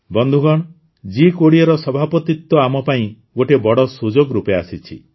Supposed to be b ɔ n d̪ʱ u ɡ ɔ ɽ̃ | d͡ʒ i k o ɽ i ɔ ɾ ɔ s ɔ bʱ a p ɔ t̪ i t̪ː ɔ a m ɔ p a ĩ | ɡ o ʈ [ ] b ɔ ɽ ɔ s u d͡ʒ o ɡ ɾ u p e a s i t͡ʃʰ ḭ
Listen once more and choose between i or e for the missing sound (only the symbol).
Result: e